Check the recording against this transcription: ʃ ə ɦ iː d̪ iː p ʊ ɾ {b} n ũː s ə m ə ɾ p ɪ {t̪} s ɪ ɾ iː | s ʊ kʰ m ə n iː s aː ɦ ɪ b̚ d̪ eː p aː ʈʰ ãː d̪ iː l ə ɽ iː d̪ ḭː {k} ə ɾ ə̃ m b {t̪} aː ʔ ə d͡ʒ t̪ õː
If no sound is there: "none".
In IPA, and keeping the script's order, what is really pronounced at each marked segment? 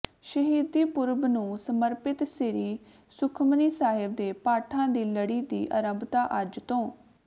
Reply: b, t̪, ʔ, t̪

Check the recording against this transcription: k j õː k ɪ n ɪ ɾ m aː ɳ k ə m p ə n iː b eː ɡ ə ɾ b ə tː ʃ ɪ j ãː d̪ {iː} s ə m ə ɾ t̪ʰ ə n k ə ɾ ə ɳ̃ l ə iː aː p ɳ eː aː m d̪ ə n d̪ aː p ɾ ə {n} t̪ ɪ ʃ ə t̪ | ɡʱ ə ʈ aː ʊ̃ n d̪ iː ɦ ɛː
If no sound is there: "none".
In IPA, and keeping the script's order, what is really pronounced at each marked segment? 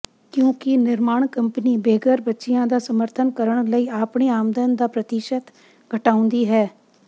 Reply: aː, none

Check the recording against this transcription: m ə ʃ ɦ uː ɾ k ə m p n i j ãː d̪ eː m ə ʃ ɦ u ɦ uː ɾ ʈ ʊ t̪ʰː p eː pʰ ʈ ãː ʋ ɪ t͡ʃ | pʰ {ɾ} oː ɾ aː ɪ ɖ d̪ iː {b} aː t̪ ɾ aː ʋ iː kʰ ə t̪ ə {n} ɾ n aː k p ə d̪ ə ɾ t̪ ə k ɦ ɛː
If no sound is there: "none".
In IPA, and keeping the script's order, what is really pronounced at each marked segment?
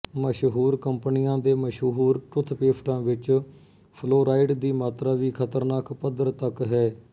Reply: l, m, none

